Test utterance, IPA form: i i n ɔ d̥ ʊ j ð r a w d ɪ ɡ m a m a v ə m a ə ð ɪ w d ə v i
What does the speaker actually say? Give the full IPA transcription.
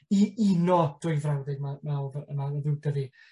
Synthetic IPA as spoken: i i n ɔ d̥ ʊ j v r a w d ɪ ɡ m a m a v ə m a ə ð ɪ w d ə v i